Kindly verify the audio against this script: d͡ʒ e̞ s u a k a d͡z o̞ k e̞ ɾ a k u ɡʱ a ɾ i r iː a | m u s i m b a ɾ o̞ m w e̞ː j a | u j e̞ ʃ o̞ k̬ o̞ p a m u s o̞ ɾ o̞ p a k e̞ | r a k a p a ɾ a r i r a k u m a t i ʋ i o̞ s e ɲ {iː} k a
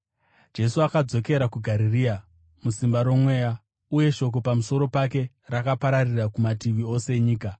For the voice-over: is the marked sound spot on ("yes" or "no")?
yes